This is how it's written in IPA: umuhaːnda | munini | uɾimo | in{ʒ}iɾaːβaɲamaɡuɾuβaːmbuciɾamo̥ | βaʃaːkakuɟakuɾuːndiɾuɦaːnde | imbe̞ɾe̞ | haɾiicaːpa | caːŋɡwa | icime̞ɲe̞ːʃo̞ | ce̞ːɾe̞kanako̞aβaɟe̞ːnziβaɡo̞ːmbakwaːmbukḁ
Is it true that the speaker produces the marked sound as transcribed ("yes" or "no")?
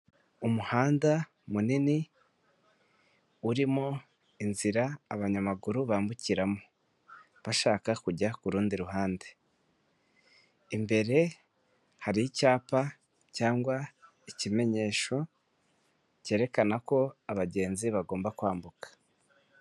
no